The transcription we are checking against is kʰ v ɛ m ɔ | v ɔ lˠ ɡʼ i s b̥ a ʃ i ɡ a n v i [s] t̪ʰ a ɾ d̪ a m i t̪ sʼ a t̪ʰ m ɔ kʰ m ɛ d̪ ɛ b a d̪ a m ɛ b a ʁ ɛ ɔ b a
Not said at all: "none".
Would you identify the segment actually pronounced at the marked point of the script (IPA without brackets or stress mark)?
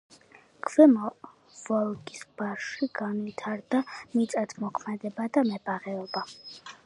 none